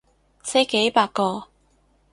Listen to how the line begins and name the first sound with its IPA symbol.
s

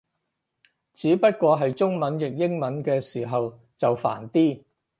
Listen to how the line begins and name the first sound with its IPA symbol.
t͡s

